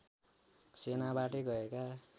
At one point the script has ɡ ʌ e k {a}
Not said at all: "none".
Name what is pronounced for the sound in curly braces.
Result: a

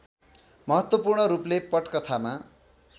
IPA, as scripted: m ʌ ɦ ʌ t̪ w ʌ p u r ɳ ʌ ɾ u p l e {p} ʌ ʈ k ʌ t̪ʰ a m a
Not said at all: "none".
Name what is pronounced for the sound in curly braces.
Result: p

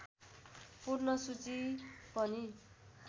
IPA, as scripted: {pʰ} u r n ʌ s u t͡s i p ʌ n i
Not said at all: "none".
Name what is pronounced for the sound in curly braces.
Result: p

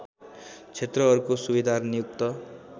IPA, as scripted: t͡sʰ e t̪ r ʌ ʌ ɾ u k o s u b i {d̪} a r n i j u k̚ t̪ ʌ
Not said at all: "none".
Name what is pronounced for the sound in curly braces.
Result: d̪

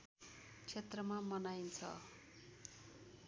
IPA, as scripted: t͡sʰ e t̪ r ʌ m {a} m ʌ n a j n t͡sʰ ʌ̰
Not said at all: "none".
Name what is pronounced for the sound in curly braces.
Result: a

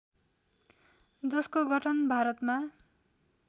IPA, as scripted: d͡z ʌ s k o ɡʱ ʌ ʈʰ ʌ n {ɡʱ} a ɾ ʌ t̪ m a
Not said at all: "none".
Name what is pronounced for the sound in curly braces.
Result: bʱ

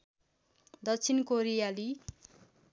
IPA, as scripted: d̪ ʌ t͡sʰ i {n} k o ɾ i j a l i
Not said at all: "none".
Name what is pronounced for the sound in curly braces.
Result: n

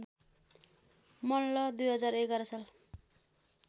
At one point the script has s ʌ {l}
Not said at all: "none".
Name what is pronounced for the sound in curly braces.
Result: l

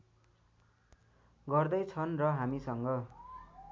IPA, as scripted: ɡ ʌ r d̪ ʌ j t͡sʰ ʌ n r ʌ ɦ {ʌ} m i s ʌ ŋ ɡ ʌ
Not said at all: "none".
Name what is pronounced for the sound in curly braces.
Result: a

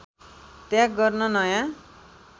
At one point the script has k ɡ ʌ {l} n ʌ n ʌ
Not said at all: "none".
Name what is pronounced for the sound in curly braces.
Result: r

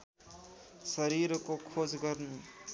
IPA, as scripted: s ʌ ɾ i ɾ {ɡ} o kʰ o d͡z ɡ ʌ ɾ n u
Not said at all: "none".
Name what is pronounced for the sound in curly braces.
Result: k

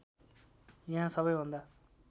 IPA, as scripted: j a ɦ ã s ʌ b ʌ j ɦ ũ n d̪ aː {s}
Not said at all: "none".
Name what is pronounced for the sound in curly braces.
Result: none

